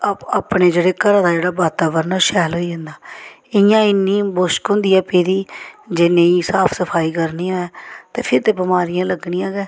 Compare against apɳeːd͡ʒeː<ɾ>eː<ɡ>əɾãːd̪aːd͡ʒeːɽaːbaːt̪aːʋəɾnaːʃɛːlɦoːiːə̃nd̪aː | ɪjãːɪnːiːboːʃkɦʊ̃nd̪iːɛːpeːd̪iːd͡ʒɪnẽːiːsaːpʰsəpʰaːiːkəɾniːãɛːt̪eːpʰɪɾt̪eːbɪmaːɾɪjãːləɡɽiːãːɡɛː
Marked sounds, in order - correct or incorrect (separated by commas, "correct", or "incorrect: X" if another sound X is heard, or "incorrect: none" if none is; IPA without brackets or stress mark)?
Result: incorrect: ɽ, incorrect: k